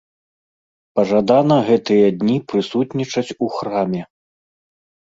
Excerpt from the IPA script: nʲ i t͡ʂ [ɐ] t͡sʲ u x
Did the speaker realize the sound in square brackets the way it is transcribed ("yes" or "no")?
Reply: yes